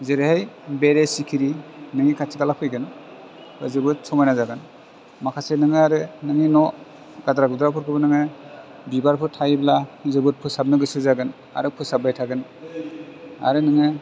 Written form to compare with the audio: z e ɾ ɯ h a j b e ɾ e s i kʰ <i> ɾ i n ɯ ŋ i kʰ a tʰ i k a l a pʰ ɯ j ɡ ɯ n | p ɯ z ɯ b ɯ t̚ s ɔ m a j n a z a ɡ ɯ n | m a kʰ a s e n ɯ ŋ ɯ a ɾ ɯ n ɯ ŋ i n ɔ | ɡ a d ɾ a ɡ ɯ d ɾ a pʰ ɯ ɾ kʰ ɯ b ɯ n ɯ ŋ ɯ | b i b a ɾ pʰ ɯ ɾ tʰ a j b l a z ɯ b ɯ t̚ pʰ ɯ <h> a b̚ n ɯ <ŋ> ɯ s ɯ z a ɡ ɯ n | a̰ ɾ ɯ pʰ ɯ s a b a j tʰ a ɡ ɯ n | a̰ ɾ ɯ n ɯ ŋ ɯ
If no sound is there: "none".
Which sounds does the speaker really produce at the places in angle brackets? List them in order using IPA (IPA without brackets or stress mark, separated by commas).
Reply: i, s, ɡ